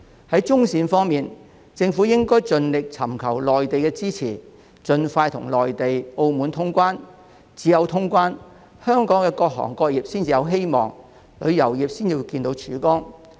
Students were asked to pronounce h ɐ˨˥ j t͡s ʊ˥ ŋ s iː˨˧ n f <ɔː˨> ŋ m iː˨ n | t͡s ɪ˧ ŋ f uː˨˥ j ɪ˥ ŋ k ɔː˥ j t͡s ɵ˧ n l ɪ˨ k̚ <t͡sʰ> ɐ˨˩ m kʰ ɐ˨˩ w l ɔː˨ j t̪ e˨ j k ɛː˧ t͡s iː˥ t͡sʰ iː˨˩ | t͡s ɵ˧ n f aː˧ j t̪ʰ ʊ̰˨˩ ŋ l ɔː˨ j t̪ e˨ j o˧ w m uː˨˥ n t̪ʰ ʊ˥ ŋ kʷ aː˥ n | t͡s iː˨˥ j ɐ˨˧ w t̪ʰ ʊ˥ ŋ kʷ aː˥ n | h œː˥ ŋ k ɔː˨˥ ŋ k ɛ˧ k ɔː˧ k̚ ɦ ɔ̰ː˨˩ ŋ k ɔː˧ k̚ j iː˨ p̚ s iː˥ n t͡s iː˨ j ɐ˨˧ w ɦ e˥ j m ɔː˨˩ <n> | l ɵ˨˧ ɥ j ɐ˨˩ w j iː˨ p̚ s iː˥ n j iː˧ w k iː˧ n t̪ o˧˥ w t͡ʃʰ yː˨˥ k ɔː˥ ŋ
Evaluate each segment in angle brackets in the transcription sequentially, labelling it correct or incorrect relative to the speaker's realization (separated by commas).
incorrect, correct, incorrect